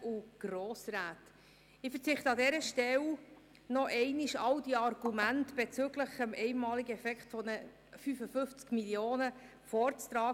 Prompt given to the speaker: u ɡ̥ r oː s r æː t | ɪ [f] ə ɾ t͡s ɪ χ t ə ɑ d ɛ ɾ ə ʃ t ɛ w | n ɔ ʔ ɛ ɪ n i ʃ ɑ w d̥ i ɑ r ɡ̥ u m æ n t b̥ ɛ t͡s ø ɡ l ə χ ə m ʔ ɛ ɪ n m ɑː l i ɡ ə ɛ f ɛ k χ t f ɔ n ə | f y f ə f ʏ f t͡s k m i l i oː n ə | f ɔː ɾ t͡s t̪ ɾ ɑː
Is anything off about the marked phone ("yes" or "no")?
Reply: no